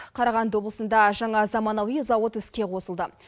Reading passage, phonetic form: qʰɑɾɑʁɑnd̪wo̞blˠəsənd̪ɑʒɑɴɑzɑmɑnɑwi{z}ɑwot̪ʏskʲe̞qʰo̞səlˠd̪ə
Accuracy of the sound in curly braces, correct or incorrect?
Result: correct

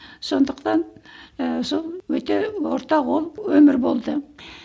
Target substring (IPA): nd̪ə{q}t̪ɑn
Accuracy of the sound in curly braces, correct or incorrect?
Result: correct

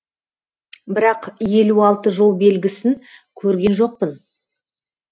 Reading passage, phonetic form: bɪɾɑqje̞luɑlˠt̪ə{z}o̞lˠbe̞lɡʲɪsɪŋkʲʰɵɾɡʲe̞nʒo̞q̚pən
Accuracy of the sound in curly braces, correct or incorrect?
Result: incorrect: ʒ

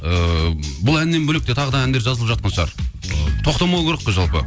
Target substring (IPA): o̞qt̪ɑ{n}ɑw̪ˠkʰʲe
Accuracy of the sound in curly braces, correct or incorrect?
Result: incorrect: m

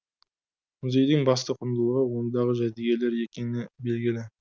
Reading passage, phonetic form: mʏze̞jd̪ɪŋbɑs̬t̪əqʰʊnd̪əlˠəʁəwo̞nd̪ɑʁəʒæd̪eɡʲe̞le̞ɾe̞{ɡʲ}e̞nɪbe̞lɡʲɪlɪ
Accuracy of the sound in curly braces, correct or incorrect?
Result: incorrect: kʲ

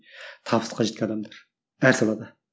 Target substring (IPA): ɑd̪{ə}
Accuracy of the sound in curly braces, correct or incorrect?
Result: incorrect: ɑ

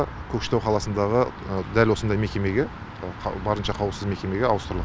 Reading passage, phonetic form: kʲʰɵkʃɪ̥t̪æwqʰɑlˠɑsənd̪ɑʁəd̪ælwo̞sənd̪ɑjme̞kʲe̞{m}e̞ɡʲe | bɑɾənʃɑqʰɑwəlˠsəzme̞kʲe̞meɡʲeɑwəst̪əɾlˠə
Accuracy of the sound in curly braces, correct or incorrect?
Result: correct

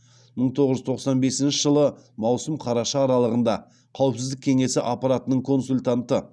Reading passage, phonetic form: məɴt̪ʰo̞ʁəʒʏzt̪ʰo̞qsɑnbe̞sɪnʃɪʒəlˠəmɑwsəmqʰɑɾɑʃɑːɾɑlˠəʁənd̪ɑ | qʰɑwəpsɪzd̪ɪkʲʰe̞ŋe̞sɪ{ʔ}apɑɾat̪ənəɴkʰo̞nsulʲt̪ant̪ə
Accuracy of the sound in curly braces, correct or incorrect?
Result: correct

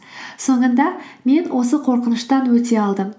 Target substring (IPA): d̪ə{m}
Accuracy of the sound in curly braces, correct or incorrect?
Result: correct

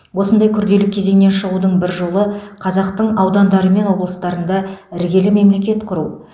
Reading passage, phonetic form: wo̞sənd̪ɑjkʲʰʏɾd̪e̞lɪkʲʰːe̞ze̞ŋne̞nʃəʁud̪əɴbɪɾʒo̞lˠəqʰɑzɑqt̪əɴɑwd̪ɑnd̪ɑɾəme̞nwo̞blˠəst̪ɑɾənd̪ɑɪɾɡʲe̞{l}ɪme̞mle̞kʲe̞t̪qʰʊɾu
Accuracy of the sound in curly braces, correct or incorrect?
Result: correct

